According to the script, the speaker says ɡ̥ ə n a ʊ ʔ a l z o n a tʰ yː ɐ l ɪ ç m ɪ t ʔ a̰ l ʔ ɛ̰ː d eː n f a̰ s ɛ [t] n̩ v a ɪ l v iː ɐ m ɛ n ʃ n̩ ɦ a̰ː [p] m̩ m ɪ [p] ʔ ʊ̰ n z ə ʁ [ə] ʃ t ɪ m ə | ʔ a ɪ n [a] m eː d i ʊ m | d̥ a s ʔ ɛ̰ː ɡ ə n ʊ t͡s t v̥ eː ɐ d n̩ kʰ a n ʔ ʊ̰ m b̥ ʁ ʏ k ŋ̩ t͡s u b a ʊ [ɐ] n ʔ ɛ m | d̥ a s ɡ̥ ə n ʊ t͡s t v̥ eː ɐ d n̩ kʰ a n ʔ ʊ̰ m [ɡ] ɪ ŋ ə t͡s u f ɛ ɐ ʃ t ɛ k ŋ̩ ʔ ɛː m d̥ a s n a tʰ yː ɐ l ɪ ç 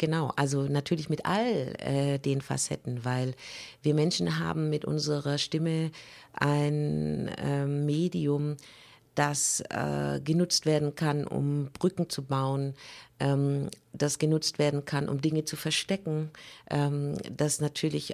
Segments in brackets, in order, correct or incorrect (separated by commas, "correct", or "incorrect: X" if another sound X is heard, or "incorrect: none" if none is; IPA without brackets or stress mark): correct, incorrect: b, incorrect: t, incorrect: ɐ, incorrect: ɛ, incorrect: ə, incorrect: d